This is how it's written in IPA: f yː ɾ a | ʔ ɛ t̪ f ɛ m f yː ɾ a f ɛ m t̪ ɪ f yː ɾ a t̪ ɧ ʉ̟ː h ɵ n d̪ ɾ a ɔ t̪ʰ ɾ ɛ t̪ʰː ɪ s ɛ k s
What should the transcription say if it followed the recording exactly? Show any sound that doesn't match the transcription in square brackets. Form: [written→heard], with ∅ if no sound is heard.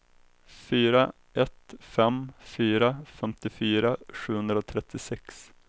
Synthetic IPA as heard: f yː ɾ a | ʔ ɛ t̪ f ɛ m f yː ɾ a f ɛ m t̪ ɪ f yː ɾ a [t̪→∅] ɧ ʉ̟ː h ɵ n d̪ ɾ a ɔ t̪ʰ ɾ ɛ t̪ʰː ɪ s ɛ k s